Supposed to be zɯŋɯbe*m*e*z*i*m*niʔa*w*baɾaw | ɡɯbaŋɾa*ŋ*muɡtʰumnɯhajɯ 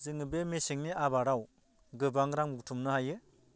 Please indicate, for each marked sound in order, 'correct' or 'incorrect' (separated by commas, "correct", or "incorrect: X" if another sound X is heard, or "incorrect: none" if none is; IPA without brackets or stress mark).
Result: correct, incorrect: s, incorrect: ŋ, incorrect: none, correct